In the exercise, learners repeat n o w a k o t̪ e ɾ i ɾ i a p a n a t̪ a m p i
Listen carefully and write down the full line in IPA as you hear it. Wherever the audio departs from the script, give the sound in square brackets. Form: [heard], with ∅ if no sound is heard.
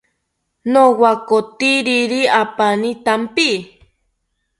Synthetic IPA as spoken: n o w a k o t̪ [i] ɾ i ɾ i a p a n [i] t̪ a m p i